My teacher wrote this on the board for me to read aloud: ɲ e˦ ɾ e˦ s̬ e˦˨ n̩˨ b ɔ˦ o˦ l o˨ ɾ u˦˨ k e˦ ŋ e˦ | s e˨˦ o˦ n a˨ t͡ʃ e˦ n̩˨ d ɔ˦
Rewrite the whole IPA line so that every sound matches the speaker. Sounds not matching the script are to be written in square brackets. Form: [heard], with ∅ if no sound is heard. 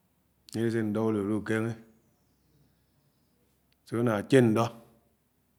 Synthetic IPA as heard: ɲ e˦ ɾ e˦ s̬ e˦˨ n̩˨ [d] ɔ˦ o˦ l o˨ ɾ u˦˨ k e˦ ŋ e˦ | s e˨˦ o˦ n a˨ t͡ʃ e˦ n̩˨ d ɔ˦

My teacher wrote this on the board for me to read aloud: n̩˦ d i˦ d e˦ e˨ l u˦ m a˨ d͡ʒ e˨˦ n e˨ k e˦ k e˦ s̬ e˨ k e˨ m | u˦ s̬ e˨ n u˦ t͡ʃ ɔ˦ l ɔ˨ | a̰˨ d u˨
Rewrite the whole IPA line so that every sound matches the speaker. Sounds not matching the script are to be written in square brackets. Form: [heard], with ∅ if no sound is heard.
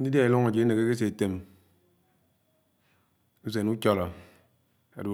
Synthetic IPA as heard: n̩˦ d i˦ d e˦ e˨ l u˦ [ŋ] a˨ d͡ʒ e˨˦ n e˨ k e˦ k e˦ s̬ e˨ [t] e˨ m | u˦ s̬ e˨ n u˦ t͡ʃ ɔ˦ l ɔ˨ | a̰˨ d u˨

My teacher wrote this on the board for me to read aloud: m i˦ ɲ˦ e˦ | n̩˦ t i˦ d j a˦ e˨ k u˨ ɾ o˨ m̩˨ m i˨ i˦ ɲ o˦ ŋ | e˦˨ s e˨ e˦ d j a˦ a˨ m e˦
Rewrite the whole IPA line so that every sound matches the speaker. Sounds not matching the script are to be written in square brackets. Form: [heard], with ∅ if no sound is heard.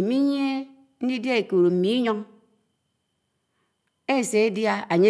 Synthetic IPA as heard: m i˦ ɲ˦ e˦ | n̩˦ [d] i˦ d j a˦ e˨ k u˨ ɾ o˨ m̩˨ m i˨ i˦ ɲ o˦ ŋ | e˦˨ s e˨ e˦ d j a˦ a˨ [ɲ] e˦

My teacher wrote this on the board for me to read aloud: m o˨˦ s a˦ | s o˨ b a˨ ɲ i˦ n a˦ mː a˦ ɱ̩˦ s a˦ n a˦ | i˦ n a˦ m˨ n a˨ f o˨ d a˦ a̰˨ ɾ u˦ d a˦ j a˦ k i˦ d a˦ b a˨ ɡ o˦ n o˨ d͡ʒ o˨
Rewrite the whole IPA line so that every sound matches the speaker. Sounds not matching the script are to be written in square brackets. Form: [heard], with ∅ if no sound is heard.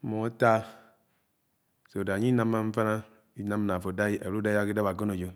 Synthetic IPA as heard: m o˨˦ [t] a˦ | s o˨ [d] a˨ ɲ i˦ n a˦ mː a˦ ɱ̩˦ [f] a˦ n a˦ | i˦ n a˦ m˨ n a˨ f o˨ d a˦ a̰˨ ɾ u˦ d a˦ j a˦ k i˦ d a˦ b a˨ ɡ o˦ n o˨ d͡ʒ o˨

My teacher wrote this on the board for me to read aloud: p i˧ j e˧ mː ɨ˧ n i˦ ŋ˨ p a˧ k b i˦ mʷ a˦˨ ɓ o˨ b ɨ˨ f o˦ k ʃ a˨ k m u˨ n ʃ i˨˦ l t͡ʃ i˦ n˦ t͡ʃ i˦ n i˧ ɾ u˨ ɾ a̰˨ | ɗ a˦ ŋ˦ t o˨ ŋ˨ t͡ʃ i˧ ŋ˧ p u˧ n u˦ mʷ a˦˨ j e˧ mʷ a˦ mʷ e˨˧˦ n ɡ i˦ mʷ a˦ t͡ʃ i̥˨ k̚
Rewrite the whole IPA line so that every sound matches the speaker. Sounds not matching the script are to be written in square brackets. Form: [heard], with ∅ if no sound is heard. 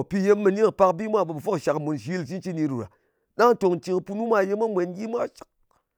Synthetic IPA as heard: p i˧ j e˧ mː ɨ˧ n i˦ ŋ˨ p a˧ k b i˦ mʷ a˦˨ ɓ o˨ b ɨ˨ f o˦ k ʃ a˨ k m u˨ n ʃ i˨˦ l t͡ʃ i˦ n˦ t͡ʃ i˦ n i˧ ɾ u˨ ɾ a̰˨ | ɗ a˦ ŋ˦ t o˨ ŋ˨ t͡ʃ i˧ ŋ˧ p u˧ n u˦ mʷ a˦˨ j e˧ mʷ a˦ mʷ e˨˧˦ n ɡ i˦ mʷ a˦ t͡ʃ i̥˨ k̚

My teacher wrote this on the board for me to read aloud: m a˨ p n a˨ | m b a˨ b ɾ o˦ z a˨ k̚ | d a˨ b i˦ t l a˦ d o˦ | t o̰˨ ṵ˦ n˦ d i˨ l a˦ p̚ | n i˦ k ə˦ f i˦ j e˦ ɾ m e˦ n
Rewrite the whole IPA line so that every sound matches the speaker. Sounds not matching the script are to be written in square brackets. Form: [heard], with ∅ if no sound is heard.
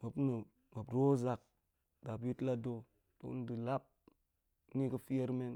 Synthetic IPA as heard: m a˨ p n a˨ | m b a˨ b ɾ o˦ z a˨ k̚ | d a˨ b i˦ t l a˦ d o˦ | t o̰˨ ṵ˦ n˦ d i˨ l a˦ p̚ | n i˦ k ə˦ f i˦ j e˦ ɾ m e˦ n

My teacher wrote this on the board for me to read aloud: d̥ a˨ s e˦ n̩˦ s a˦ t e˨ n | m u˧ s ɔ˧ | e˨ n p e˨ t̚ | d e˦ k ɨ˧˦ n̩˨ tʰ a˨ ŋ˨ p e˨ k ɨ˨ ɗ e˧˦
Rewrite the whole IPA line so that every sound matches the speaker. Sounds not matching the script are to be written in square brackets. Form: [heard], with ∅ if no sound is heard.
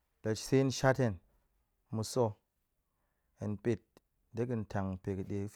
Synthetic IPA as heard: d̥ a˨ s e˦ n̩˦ [ʃ] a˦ t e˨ n | m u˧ s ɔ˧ | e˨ n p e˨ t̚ | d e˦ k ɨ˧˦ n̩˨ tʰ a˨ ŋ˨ p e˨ k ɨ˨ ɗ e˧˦

